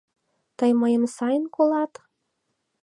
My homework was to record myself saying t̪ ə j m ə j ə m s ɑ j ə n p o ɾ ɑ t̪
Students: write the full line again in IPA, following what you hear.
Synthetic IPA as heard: t̪ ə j m ə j ə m s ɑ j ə n k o l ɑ t̪